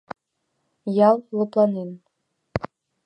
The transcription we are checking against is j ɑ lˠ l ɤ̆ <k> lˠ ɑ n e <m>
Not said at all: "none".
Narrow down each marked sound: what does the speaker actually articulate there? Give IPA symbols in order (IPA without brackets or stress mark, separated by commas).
p, n